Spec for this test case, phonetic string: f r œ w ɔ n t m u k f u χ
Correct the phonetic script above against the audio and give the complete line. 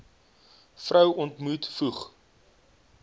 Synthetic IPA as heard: f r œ w ɔ n t m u t f u χ